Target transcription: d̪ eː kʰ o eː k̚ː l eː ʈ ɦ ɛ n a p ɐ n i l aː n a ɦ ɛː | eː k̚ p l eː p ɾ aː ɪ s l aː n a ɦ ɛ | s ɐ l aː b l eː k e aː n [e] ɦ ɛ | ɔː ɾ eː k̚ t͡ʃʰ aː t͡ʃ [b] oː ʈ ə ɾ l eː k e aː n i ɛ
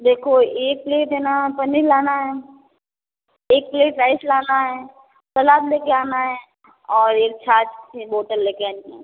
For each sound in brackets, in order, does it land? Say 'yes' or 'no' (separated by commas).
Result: no, yes